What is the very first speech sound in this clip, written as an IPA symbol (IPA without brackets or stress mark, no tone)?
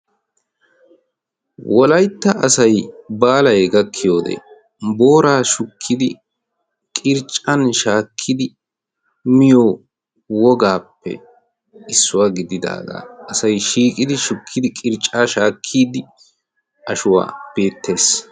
w